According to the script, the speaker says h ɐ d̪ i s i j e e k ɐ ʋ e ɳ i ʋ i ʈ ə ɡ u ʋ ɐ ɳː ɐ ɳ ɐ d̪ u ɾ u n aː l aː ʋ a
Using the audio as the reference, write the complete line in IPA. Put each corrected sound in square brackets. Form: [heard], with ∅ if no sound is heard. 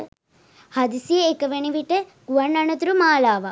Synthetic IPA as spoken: h ɐ d̪ i s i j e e k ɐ ʋ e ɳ i ʋ i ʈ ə ɡ u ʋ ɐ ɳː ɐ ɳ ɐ [t̪] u ɾ u [m] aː l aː ʋ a